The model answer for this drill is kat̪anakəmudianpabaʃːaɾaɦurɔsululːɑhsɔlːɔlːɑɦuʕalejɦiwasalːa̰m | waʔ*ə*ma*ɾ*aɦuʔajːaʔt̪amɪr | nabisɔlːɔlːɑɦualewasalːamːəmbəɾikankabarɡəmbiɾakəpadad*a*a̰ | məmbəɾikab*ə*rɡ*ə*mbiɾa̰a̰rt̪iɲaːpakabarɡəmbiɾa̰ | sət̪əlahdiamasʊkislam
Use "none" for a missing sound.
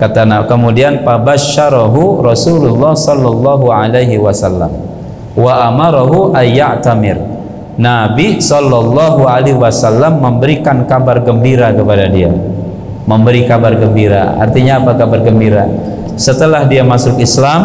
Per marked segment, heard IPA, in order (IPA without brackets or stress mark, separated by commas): a, ɾ, i, a, ə